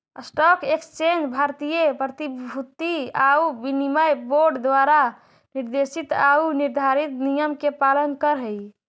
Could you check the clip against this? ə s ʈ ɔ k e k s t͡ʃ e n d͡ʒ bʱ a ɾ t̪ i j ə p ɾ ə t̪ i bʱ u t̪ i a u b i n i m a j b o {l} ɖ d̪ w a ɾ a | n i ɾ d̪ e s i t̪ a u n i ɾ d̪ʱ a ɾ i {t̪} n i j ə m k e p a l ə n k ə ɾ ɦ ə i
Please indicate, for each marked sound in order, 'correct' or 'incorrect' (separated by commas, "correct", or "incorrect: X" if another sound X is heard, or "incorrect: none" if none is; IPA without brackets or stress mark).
incorrect: ɾ, correct